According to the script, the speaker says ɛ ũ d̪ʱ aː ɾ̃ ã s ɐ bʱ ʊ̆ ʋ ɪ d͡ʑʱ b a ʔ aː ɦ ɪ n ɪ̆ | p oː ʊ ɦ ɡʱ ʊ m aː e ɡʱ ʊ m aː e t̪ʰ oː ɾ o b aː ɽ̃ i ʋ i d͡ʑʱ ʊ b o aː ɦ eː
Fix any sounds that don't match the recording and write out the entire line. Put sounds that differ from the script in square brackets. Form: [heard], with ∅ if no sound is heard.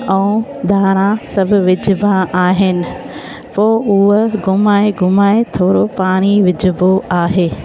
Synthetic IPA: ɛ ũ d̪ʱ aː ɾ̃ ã s ɐ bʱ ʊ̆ ʋ ɪ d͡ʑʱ b a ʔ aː ɦ ɪ n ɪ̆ | p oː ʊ ɦ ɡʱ ʊ m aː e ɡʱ ʊ m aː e t̪ʰ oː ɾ o [p] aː ɽ̃ i ʋ [ɪ] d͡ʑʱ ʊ b o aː ɦ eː

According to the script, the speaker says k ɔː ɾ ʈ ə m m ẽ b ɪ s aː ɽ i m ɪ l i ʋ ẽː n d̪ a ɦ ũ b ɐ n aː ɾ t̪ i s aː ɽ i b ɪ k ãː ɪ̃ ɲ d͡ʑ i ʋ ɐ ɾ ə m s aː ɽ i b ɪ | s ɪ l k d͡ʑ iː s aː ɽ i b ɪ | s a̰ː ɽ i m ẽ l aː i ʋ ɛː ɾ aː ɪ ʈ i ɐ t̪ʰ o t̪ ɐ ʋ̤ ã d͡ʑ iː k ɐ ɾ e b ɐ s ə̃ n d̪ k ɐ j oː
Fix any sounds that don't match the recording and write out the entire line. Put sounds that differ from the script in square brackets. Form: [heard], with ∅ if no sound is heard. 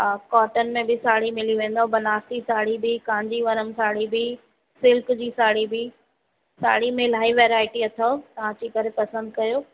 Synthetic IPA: k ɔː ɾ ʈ ə [n] m ẽ b ɪ s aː ɽ i m ɪ l i ʋ ẽː n d̪ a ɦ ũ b ɐ n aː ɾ t̪ i s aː ɽ i b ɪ k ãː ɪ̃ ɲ d͡ʑ i ʋ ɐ ɾ ə m s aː ɽ i b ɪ | s ɪ l k d͡ʑ iː s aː ɽ i b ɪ | s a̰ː ɽ i m ẽ l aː i ʋ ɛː ɾ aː ɪ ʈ i ɐ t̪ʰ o t̪ ɐ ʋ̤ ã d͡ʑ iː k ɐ ɾ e [p] ɐ s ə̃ n d̪ k ɐ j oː

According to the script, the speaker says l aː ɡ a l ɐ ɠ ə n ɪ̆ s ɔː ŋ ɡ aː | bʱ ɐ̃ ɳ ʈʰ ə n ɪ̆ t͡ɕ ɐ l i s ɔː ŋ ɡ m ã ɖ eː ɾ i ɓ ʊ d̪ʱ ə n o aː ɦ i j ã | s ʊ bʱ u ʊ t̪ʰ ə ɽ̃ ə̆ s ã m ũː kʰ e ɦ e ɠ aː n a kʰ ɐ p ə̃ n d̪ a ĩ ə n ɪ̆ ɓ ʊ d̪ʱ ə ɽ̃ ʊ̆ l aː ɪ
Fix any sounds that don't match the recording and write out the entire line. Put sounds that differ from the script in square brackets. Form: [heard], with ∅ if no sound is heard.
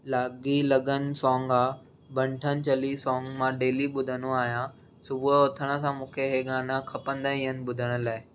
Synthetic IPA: l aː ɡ [i] l ɐ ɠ ə n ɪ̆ s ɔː ŋ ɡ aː | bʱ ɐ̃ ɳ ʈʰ ə n ɪ̆ t͡ɕ ɐ l i s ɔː ŋ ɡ m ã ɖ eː [l] i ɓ ʊ d̪ʱ ə n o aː ɦ i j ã | s ʊ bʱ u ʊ t̪ʰ ə ɽ̃ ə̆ s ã m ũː kʰ e ɦ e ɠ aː n a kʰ ɐ p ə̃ n d̪ a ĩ ə n ɪ̆ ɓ ʊ d̪ʱ ə ɽ̃ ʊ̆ l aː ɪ

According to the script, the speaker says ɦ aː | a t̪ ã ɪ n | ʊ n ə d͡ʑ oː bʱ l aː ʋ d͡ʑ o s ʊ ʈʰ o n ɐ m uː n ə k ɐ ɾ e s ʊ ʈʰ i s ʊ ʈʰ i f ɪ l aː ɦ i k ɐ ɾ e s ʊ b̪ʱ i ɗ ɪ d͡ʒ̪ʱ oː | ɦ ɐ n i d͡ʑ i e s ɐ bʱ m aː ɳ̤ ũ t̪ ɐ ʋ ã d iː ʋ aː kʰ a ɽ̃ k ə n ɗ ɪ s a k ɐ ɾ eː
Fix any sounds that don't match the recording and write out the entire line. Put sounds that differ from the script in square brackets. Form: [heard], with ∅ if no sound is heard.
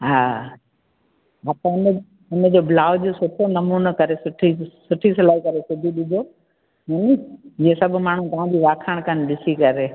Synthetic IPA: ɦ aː | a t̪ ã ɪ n | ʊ n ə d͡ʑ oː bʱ l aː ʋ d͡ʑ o s ʊ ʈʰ o n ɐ m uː n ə k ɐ ɾ e s ʊ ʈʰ i s ʊ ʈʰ i [s] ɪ l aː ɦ i k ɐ ɾ e s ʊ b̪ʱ i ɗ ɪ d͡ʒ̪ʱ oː | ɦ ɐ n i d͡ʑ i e s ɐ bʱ m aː ɳ̤ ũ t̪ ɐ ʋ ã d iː ʋ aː kʰ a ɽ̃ k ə n ɗ ɪ s [i] k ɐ ɾ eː

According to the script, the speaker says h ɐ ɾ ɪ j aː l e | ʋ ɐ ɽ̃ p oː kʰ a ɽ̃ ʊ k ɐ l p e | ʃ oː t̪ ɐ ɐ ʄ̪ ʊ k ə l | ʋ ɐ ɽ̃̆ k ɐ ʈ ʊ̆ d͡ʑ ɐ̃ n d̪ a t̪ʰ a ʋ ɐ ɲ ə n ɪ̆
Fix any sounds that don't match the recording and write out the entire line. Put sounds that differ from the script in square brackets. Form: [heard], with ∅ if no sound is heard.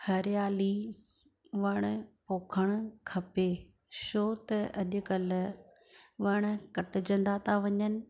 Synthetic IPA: h ɐ ɾ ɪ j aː l [i] | ʋ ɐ ɽ̃ p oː kʰ [ə] ɽ̃ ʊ [kʰ] ɐ [∅] p e | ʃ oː t̪ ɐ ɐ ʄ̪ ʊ k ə l | ʋ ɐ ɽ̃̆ k ɐ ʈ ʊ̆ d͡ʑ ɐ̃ n d̪ a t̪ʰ a ʋ ɐ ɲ ə n ɪ̆

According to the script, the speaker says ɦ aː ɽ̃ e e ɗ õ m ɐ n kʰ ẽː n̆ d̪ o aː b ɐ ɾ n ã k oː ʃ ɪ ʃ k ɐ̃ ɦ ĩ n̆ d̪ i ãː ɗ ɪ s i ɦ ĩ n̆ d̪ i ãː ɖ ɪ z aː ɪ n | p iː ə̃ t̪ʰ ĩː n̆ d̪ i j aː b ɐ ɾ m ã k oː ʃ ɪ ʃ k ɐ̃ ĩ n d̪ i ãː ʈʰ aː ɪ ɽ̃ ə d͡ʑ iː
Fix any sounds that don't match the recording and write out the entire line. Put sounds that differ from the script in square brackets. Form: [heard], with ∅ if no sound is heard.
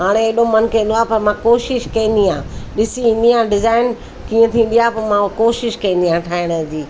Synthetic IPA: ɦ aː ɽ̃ e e ɗ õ m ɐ n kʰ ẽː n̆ d̪ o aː [p] ɐ ɾ [m] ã k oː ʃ ɪ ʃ k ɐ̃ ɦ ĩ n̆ d̪ i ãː ɗ ɪ s i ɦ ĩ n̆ d̪ i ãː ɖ ɪ z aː ɪ n | [k] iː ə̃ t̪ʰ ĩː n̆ d̪ i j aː [p] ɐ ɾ m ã k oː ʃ ɪ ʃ k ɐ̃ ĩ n d̪ i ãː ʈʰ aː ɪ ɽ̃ ə d͡ʑ iː

